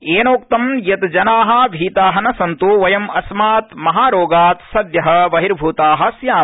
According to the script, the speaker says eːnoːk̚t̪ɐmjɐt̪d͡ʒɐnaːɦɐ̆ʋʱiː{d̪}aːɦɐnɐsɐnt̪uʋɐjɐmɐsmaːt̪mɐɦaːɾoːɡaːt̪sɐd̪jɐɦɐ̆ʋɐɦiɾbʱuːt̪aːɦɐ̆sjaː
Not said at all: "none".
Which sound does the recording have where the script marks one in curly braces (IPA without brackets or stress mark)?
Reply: t̪